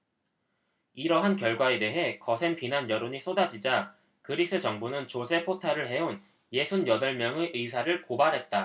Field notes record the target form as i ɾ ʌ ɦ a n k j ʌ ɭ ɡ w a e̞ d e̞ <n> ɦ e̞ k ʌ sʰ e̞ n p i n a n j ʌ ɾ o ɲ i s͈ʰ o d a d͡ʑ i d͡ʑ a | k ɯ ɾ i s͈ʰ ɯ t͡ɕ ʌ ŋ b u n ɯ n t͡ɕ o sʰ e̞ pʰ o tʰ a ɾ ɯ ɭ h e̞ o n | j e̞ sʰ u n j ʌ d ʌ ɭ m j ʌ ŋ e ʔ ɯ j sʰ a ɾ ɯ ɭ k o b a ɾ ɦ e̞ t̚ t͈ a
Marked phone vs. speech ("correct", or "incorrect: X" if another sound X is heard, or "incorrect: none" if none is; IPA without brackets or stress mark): incorrect: none